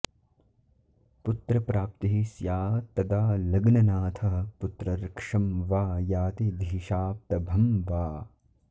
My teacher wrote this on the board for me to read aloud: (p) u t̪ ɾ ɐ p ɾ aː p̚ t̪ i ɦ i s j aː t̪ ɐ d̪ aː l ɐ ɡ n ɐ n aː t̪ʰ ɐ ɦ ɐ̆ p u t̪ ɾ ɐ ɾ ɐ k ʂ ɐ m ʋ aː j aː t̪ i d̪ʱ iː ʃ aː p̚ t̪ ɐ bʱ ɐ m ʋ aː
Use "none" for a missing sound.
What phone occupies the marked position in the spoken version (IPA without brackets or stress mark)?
p